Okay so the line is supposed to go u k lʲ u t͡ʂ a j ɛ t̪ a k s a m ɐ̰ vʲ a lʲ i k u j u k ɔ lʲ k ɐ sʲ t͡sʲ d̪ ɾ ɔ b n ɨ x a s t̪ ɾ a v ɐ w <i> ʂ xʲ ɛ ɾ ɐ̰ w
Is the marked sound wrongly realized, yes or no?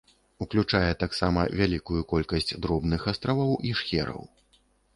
no